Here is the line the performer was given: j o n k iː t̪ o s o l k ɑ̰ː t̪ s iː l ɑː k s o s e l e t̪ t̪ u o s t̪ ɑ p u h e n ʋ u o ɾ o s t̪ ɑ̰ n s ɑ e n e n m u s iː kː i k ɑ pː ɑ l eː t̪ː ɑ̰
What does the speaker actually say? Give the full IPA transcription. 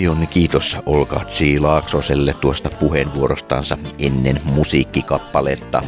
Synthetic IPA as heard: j o n k iː t̪ o s o l k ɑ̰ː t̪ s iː l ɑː k s o s e lː e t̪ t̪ u o s t̪ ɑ p u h e n ʋ u o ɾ o s t̪ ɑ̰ n s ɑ e nː e n m u s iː kː i k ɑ pː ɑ l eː t̪ː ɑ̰